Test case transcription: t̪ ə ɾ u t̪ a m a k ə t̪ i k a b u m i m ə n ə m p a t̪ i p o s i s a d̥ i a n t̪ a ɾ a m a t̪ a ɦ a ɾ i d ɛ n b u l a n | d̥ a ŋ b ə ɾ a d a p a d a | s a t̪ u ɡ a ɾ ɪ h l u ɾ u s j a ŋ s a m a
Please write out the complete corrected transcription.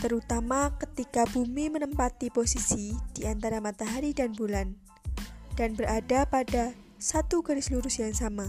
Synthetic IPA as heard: t̪ ə ɾ u t̪ a m a k ə t̪ i k a b u m i m ə n ə m p a t̪ i p o s i s i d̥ i a n t̪ a ɾ a m a t̪ a ɦ a ɾ i d a n b u l a n | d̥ a n b ə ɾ a d a p a d a | s a t̪ u ɡ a ɾ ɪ s l u ɾ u s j a ŋ s a m a